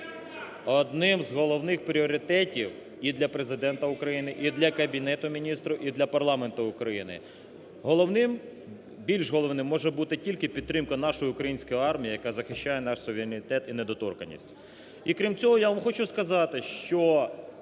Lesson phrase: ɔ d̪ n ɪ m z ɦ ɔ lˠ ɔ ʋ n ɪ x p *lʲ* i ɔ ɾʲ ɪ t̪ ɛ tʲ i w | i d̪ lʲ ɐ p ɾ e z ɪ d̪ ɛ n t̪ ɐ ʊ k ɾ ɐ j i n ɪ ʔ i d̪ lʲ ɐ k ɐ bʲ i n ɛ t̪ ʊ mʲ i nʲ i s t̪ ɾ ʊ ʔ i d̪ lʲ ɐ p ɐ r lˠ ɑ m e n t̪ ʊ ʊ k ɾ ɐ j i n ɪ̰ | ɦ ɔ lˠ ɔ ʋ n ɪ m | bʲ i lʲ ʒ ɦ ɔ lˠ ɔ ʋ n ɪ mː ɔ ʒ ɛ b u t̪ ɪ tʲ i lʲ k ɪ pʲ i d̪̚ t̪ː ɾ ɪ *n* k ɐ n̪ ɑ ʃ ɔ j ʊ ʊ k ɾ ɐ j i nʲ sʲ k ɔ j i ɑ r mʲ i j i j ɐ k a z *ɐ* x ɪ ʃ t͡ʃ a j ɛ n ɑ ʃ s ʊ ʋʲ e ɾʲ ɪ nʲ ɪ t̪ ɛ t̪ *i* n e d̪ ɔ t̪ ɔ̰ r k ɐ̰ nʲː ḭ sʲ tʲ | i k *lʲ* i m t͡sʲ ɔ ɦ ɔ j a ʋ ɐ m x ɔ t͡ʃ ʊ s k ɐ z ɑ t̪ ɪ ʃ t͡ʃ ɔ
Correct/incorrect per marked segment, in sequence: incorrect: ɾʲ, incorrect: m, correct, correct, incorrect: ɾʲ

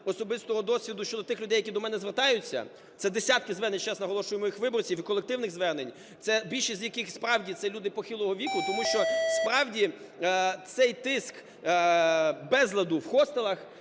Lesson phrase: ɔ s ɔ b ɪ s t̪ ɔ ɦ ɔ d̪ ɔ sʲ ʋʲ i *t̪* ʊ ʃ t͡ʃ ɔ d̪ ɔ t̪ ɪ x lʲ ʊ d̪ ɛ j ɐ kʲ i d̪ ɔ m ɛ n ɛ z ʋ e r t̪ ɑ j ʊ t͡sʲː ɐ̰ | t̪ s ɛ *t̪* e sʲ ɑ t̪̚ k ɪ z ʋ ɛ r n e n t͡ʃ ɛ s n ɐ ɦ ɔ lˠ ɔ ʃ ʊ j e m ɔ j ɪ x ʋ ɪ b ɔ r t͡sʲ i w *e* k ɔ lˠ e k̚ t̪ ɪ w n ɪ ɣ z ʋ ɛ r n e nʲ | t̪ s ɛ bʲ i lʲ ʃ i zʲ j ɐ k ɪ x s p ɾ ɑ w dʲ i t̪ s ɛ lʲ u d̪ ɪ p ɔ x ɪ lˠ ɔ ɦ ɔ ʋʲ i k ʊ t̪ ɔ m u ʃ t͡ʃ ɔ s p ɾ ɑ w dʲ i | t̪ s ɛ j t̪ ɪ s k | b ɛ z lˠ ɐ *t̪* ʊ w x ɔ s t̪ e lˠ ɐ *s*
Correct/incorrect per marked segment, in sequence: incorrect: d̪, incorrect: d̪, incorrect: i, incorrect: d̪, incorrect: x

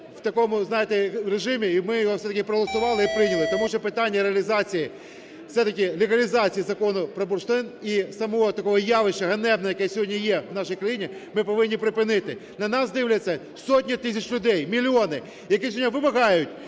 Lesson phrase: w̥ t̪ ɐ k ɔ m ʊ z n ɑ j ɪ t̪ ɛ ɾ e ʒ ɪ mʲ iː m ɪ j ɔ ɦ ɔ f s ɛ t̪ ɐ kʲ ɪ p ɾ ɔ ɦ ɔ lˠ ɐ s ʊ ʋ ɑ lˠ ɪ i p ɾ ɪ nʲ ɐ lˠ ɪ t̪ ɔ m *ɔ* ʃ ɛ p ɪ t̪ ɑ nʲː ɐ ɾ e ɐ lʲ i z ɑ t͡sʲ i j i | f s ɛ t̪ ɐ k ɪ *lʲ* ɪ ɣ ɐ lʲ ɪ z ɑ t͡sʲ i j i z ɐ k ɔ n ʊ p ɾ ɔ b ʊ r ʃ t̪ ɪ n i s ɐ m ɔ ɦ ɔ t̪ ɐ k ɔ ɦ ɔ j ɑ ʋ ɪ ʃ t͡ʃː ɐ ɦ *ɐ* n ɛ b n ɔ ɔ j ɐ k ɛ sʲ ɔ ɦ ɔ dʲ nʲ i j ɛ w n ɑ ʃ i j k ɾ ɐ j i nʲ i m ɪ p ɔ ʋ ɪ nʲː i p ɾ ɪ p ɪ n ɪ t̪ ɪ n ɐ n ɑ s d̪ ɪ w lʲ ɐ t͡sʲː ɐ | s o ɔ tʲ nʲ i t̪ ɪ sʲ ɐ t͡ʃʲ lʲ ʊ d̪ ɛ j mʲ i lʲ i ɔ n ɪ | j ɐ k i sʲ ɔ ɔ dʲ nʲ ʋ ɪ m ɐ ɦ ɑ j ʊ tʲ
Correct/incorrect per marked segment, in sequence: incorrect: u, correct, correct

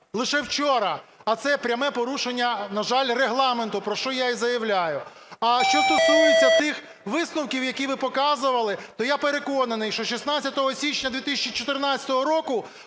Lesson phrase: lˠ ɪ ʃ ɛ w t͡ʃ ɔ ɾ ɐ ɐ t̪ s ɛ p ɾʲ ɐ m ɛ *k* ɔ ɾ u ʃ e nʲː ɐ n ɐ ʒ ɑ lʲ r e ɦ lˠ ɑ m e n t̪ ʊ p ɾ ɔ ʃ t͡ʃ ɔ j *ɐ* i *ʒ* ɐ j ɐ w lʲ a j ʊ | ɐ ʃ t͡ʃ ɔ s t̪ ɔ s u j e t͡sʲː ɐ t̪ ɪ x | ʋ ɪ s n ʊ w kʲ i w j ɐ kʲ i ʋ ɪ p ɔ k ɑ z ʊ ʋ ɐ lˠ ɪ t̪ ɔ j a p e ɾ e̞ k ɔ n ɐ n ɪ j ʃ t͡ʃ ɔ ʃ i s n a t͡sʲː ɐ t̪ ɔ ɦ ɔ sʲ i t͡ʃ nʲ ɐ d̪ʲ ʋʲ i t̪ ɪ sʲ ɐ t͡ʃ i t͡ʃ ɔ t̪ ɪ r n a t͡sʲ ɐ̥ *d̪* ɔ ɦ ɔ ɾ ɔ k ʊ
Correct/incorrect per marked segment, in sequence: incorrect: p, incorrect: a, incorrect: z, incorrect: t̪

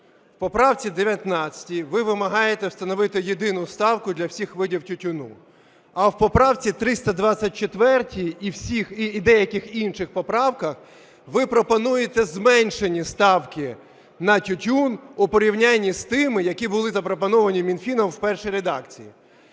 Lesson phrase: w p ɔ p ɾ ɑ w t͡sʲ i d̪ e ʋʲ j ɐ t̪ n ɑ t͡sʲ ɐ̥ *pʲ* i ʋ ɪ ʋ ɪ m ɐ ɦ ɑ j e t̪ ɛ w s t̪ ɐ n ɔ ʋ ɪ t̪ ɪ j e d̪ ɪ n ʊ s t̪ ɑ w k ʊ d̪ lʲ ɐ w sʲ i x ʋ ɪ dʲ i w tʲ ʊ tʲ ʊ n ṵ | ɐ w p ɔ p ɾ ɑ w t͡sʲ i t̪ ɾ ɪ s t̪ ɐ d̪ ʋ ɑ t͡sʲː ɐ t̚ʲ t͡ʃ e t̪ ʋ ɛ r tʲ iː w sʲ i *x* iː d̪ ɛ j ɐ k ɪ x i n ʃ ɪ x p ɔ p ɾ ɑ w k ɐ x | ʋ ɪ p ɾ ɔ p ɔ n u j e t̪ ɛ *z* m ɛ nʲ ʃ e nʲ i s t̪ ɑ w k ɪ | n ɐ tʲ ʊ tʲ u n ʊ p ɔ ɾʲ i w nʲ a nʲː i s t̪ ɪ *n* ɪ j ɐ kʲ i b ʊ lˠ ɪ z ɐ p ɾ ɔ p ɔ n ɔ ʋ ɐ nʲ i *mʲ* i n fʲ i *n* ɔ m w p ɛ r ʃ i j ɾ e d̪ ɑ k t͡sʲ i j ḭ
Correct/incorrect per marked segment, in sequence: incorrect: tʲ, correct, correct, incorrect: m, correct, correct

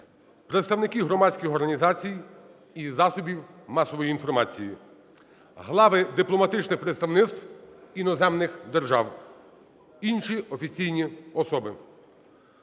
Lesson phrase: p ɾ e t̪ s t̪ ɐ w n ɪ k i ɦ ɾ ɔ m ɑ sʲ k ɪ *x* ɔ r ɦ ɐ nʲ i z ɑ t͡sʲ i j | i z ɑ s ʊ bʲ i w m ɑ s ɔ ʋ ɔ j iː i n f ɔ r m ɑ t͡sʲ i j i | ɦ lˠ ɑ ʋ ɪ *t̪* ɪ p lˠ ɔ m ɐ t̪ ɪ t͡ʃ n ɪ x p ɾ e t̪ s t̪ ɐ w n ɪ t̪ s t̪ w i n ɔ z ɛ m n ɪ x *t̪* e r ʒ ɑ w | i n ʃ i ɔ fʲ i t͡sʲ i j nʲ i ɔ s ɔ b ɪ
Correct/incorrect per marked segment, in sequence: correct, incorrect: d̪, incorrect: d̪

